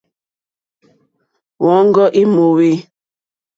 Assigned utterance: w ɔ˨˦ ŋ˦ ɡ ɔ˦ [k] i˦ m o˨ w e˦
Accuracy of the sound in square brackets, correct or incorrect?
incorrect